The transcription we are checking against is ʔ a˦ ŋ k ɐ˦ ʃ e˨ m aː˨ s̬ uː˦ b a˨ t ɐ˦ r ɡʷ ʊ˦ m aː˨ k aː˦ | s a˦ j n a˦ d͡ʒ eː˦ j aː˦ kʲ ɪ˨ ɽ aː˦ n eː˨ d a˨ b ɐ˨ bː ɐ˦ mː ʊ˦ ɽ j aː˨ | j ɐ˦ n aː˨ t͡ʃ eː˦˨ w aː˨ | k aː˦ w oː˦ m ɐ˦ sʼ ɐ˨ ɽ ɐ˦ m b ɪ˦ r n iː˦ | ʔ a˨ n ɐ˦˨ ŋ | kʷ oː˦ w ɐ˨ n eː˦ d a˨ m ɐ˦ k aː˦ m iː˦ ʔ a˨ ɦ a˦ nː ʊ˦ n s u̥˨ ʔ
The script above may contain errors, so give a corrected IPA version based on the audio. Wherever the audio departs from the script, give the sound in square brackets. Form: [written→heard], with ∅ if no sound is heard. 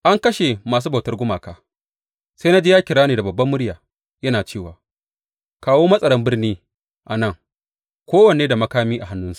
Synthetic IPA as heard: ʔ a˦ ŋ k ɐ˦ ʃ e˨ m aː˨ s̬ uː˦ b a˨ t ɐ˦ r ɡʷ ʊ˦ m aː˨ k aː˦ | s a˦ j n a˦ d͡ʒ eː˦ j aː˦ kʲ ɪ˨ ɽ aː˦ n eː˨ d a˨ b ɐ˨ bː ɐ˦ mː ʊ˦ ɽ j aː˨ | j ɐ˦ n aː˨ t͡ʃ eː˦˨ w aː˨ | k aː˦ w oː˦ m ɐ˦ sʼ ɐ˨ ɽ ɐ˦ m b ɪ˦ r n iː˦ | ʔ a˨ n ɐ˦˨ ŋ | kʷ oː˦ w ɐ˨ n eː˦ d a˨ m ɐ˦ k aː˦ m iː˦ ʔ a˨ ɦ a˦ nː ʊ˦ n s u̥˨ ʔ